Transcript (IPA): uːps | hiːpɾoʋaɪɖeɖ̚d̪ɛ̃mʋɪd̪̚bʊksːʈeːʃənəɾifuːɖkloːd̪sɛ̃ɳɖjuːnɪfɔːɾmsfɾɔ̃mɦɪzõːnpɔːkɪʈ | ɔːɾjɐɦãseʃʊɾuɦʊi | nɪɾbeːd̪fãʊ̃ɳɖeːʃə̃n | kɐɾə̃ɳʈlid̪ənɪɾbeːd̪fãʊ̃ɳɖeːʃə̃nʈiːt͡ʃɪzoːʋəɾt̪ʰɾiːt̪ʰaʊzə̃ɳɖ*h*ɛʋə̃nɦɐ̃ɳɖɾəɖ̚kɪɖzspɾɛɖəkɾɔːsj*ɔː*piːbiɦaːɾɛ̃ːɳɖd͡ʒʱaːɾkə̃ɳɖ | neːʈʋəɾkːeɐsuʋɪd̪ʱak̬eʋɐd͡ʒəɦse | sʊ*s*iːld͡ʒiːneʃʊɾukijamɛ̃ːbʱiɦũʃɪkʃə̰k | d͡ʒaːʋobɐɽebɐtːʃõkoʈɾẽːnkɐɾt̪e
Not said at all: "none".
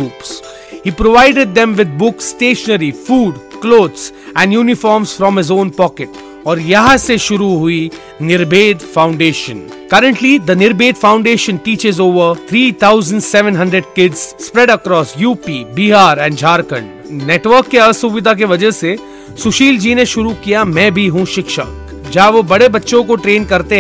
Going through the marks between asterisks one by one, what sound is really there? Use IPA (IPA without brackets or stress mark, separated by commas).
s, uː, ʃ